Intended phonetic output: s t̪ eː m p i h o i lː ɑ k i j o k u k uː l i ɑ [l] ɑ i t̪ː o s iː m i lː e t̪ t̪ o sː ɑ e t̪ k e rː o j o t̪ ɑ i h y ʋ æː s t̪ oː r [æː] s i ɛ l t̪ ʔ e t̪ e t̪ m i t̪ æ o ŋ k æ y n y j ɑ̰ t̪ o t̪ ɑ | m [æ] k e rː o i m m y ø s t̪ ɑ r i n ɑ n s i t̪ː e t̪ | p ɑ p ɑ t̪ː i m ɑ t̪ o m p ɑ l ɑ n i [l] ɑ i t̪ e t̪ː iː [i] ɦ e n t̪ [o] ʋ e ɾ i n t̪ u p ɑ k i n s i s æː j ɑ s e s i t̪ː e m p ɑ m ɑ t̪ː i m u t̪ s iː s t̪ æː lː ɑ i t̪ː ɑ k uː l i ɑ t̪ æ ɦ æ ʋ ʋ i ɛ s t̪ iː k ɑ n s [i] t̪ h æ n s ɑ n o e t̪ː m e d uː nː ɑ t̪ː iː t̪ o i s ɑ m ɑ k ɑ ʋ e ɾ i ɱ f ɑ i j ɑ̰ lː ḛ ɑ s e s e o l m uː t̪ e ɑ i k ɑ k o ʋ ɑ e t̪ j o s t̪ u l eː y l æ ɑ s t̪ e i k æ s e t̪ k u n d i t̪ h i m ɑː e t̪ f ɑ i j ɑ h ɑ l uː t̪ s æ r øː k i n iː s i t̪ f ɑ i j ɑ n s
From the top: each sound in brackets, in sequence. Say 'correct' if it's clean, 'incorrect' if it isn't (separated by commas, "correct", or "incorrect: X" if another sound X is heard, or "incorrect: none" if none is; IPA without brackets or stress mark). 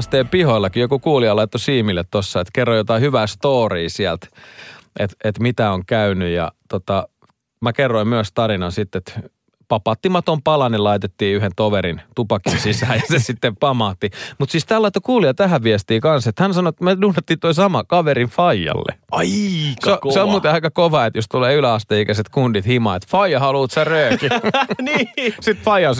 correct, incorrect: iː, correct, correct, incorrect: y, correct, incorrect: e